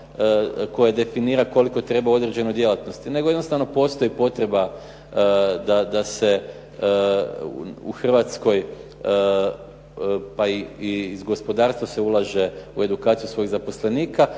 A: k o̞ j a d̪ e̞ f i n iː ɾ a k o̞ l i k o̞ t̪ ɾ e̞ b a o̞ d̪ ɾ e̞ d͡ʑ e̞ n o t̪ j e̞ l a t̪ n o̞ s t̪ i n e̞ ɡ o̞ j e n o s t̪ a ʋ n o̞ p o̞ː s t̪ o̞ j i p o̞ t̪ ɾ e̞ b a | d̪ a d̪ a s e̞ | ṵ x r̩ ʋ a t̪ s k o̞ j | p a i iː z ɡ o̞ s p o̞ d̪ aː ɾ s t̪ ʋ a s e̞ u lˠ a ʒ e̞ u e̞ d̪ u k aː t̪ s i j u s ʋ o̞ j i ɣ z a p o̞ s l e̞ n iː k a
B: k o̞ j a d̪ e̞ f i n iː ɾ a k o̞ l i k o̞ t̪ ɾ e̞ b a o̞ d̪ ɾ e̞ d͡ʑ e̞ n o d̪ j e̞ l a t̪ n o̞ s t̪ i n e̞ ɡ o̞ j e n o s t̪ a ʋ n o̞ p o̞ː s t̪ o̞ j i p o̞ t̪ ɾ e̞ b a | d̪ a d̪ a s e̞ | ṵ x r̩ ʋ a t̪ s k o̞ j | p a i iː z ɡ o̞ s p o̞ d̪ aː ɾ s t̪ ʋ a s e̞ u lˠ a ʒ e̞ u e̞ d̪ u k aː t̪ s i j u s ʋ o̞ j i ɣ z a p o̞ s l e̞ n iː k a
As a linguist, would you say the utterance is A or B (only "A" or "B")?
B